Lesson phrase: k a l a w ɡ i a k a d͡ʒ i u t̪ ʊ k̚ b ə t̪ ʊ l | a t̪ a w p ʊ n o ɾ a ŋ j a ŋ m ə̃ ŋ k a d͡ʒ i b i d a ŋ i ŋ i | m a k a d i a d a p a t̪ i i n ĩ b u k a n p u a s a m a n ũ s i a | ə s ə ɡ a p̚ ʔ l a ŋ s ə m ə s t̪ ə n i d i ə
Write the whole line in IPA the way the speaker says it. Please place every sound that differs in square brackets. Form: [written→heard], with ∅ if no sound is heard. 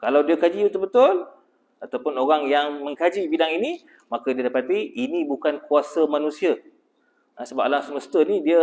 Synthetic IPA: k a l a w [ɡ→d] i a k a d͡ʒ i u t̪ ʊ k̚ b ə t̪ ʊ l | a t̪ a w p ʊ n o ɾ a ŋ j a ŋ m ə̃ ŋ k a d͡ʒ i b i d a ŋ i [ŋ→n] i | m a k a d i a d a p a t̪ i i n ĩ b u k a n [p→k] u a s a m a n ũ s i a | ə s ə [ɡ→b] a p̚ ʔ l a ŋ s ə m ə s t̪ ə n i d i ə

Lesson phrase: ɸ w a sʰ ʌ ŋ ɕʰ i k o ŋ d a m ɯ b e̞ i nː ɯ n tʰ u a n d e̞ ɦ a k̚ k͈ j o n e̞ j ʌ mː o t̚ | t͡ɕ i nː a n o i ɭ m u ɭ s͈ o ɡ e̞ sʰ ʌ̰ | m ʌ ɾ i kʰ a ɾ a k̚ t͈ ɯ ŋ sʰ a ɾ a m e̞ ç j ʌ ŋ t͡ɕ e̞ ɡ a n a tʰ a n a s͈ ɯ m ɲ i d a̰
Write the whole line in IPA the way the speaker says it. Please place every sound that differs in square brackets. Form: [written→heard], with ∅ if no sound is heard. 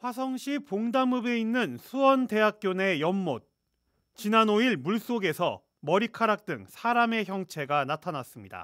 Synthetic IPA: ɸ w a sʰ ʌ ŋ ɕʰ i [k→p] o ŋ d a m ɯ b e̞ i nː ɯ n [tʰ→sʰ] u [a→ʌ] n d e̞ ɦ a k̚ k͈ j o n e̞ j ʌ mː o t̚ | t͡ɕ i [nː→n] a n o i ɭ m u ɭ s͈ o ɡ e̞ sʰ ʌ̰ | m ʌ ɾ i kʰ a ɾ a k̚ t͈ ɯ ŋ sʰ a ɾ a m e̞ ç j ʌ ŋ [t͡ɕ→t͡ɕʰ] e̞ ɡ a n a tʰ a n a s͈ ɯ m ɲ i d a̰

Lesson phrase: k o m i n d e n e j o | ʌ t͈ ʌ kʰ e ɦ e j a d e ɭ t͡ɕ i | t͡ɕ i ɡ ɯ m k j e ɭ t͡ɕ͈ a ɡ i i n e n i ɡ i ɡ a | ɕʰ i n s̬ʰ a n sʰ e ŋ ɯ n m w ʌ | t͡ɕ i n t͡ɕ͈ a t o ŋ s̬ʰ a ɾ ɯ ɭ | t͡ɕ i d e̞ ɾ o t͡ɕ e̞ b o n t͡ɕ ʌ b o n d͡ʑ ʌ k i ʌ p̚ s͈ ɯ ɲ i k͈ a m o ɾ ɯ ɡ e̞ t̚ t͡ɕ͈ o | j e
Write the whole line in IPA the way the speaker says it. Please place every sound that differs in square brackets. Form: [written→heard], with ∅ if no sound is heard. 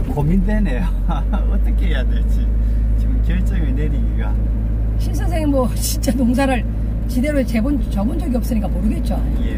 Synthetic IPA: k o m i n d e n e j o | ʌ t͈ ʌ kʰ e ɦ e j a d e ɭ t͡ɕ i | t͡ɕ i ɡ ɯ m k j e ɭ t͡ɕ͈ [a→ʌ] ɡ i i n e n i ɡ i ɡ a | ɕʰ i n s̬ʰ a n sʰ e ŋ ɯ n m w ʌ | t͡ɕ i n t͡ɕ͈ a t o ŋ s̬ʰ a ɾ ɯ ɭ | t͡ɕ i d e̞ ɾ o t͡ɕ e̞ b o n t͡ɕ ʌ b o n d͡ʑ ʌ [k→ɡ] i ʌ p̚ s͈ ɯ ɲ i k͈ a m o ɾ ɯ ɡ e̞ t̚ t͡ɕ͈ o | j e

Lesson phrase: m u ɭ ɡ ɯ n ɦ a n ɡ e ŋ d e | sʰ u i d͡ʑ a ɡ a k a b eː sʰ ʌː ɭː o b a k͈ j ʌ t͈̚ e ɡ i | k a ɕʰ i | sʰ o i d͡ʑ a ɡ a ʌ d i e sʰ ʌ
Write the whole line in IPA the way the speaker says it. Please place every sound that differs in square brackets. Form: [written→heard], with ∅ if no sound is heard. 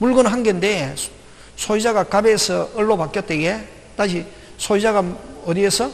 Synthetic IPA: m u ɭ ɡ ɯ n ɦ a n ɡ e [ŋ→n] d e | sʰ [u→o] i d͡ʑ a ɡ a k a b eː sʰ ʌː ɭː o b a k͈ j ʌ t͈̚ e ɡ [i→e] | [k→t] a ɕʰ i | sʰ o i d͡ʑ a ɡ a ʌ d i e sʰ ʌ

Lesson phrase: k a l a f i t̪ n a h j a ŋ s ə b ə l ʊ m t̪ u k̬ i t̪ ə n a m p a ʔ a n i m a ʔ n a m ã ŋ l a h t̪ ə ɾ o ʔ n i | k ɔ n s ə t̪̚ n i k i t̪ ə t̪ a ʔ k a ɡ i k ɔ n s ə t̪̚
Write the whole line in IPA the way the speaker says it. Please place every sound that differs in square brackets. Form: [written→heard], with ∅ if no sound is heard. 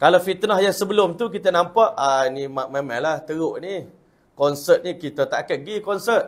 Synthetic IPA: k a l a f i t̪ n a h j a ŋ s ə b ə l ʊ m t̪ u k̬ i t̪ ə n a m p a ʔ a n i m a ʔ [n→m] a m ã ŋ l a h t̪ ə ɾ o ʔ n i | k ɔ n s ə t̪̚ n i k i t̪ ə t̪ a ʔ k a ɡ i k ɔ n s ə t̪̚

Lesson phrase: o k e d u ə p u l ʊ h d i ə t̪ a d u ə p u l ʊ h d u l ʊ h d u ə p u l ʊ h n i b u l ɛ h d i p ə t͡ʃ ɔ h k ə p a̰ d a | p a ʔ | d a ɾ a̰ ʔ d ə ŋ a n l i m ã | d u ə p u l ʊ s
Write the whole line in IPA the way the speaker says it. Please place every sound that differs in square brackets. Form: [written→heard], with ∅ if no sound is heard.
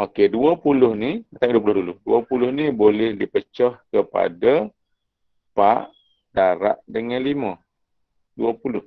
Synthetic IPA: o k e d u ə p u l ʊ h [d→n] i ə t̪ a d u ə p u l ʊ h d u l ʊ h d u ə p u l ʊ h n i b [u→o] l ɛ h d i p ə t͡ʃ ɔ h k ə p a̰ d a | p a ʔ | d a ɾ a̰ ʔ d ə ŋ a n l i m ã | d u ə p u l ʊ [s→h]

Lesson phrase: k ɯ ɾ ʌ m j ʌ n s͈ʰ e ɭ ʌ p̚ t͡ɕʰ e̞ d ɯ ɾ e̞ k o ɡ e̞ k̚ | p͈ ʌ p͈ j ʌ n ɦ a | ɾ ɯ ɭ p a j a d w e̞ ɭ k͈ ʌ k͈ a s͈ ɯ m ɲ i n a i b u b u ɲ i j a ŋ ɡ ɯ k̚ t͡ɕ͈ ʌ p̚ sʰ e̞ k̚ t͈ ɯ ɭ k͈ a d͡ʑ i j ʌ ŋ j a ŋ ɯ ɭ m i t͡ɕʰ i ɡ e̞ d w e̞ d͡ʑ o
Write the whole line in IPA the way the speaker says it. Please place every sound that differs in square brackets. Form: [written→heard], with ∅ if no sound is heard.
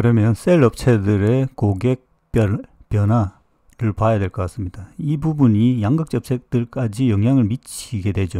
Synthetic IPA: k ɯ ɾ ʌ m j ʌ n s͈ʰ e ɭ ʌ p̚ t͡ɕʰ e̞ d ɯ ɾ e̞ k o ɡ e̞ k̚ | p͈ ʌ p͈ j ʌ n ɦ a | ɾ ɯ ɭ p a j a d w e̞ ɭ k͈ ʌ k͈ a s͈ ɯ m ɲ i [n→d] a i b u b u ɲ i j a ŋ ɡ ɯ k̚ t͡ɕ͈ ʌ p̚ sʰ e̞ k̚ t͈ ɯ ɭ k͈ a d͡ʑ i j ʌ ŋ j a ŋ ɯ ɭ m i t͡ɕʰ i ɡ e̞ d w e̞ d͡ʑ o

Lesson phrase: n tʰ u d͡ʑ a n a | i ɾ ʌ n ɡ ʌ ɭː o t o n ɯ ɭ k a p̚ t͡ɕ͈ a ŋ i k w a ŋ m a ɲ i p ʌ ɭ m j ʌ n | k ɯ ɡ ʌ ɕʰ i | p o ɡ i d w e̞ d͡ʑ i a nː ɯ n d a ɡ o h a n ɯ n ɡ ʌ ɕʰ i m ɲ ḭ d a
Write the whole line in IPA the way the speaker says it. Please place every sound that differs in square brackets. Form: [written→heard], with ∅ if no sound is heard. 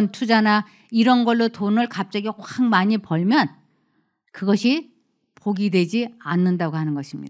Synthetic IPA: n tʰ u d͡ʑ a n a | i ɾ ʌ n ɡ ʌ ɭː o t o n ɯ ɭ k a p̚ t͡ɕ͈ a [ŋ→ɡ] i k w a ŋ m a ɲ i p ʌ ɭ m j ʌ n | k ɯ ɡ ʌ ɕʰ i | p o ɡ i d w e̞ d͡ʑ i a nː ɯ n d a ɡ o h a n ɯ n ɡ ʌ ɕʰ i m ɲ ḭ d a

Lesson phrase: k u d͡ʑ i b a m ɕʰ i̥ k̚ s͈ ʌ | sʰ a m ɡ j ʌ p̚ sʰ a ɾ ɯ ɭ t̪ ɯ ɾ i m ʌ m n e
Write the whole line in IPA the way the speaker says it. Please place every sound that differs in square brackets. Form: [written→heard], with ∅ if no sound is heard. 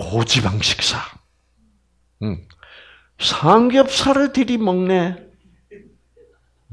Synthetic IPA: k [u→o] d͡ʑ i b a [m→ŋ] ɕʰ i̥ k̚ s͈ [ʌ→a] | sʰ a [m→ŋ] ɡ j ʌ p̚ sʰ a ɾ ɯ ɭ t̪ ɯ ɾ i m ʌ [m→ŋ] n e

